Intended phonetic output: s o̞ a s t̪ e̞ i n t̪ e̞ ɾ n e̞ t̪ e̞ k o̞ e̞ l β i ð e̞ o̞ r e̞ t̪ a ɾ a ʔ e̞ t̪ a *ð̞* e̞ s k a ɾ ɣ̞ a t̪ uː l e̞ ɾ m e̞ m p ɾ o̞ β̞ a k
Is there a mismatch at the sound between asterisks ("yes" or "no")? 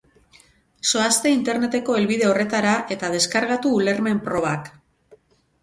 no